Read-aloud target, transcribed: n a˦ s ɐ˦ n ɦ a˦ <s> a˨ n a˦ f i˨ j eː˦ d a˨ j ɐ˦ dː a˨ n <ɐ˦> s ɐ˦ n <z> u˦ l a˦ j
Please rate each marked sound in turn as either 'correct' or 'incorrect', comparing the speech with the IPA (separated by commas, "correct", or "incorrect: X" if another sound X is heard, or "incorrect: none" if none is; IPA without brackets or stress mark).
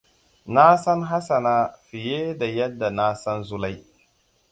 correct, incorrect: a˦, correct